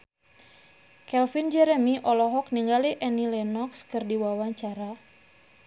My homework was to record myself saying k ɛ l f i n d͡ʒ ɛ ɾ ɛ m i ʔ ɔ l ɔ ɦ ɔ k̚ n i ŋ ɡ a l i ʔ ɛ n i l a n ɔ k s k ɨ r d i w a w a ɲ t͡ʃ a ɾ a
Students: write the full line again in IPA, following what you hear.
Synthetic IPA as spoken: k ɛ l f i n d͡ʒ ɛ ɾ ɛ m i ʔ ɔ l ɔ ɦ ɔ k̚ n i ŋ ɡ a l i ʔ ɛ n i l ɛ n ɔ k s k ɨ r d i w a w a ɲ t͡ʃ a ɾ a